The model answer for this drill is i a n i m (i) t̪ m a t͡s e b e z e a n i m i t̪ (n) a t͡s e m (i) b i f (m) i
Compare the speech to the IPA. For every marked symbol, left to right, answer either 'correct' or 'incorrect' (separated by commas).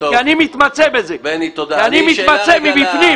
correct, incorrect, correct, incorrect